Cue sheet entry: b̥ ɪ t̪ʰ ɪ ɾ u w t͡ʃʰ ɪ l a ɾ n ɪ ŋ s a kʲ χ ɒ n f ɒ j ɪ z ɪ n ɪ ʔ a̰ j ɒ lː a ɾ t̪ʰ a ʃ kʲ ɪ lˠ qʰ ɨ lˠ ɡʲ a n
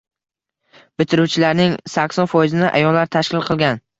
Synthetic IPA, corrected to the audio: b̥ ɪ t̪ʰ ɪ ɾ u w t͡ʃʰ ɪ l a ɾ n ɪ ŋ s a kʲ s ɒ n f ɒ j ɪ z ɪ n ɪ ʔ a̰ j ɒ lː a ɾ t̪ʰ a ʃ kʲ ɪ lˠ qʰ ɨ lˠ ɡʲ a n